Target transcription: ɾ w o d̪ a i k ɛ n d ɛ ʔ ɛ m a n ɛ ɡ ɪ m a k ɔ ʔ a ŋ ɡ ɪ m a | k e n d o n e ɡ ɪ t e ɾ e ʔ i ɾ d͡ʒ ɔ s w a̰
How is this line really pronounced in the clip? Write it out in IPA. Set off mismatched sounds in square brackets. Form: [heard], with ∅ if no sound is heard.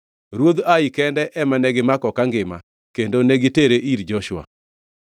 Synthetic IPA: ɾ w o d̪ a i k ɛ n d ɛ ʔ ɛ m a n ɛ ɡ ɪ m a k ɔ [k] a ŋ ɡ ɪ m a | k e n d o n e ɡ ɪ t e ɾ e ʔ i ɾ d͡ʒ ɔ [ʃ] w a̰

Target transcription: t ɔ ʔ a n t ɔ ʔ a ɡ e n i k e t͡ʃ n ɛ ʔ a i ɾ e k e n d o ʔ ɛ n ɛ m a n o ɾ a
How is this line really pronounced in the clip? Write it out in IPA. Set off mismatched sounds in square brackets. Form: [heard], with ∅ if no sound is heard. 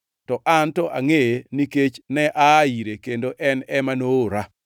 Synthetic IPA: t ɔ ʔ a n t ɔ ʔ a [ŋ] e n i k e t͡ʃ n ɛ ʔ a i ɾ e k e n d o ʔ ɛ n ɛ m a n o ɾ a

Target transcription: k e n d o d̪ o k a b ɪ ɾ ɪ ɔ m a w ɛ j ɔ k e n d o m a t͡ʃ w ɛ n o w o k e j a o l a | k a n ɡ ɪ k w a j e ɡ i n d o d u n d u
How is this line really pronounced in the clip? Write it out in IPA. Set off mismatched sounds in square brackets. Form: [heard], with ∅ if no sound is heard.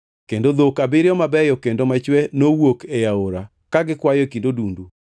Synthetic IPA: k e n d o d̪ o k a b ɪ ɾ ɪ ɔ m a [b] ɛ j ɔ k e n d o m a t͡ʃ w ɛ n o w o k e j a o [ɾ] a | k a [∅] ɡ ɪ k w a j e [k] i n d o d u n d u

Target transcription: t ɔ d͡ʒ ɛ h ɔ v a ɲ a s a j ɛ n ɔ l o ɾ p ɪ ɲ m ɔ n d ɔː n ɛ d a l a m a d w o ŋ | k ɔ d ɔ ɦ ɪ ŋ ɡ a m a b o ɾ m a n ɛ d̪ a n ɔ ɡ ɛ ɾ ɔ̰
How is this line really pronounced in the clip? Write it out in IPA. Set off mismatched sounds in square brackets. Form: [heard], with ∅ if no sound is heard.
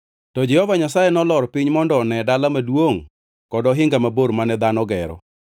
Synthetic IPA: t ɔ d͡ʒ ɛ h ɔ v a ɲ a s a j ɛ n ɔ l [ɔ] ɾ p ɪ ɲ m ɔ n d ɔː n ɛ d a l a m a d w o ŋ | k ɔ d ɔ ɦ ɪ ŋ ɡ a m a b o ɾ m a n ɛ d̪ a n ɔ ɡ ɛ ɾ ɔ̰

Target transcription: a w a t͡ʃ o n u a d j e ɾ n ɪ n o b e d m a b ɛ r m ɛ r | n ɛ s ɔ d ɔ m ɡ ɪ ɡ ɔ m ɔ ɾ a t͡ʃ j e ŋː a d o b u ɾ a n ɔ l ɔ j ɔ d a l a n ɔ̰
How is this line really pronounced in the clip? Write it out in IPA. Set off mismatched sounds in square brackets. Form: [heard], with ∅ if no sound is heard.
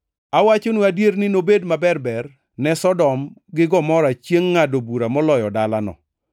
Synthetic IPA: a w a t͡ʃ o n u a d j e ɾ n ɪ n o b e d m a b ɛ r [b] ɛ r | n ɛ s ɔ d ɔ m ɡ ɪ ɡ ɔ m ɔ ɾ a t͡ʃ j e ŋː a d o b u ɾ a [m] ɔ l ɔ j ɔ d a l a n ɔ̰

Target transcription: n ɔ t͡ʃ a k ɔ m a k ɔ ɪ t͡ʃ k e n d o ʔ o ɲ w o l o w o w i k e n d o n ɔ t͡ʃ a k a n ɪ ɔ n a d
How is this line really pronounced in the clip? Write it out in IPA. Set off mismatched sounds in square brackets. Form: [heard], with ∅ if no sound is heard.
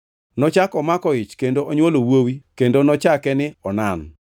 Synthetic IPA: n ɔ t͡ʃ a k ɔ m a k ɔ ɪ t͡ʃ k e n d o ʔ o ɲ w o l o w o w i k e n d o n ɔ t͡ʃ a k [ɛ] n ɪ ɔ n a [n]

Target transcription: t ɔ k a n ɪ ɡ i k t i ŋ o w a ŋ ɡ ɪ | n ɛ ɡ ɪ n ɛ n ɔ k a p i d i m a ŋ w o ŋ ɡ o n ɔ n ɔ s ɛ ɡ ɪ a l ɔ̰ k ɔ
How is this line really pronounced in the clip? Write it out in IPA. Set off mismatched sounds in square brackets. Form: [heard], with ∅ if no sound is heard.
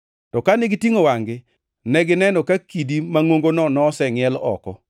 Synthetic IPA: t ɔ k a n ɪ ɡ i [∅] t i ŋ o w a ŋ ɡ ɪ | n ɛ ɡ ɪ n ɛ n ɔ k a [k] i d i m a ŋ w o ŋ ɡ o n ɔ n ɔ s ɛ [ŋ] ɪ [ɛ] l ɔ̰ k ɔ

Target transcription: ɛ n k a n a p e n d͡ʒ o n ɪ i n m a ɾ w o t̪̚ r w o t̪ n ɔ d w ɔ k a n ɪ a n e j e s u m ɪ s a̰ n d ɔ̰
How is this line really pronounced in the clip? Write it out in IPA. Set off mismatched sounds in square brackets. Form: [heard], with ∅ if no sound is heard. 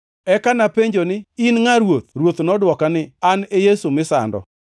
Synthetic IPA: ɛ [∅] k a n a p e [ɲ] d͡ʒ o n ɪ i n [ŋ] a ɾ w o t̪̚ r w o t̪ n ɔ d w ɔ k a n ɪ a n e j e s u m ɪ s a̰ n d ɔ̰

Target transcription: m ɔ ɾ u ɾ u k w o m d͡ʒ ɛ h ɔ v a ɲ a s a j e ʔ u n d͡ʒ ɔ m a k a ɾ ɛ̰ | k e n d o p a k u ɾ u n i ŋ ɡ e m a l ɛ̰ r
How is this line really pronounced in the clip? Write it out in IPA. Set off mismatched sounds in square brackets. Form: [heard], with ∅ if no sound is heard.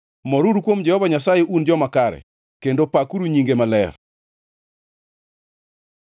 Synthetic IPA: m ɔ ɾ u ɾ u k w o m d͡ʒ ɛ h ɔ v a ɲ a s a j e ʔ u n d͡ʒ ɔ m a k a ɾ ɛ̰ | k e n d o p a k u ɾ u [ɲ] i ŋ ɡ e m a l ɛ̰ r

